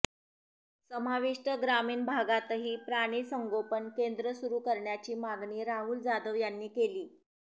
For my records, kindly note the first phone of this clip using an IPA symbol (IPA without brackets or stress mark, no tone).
s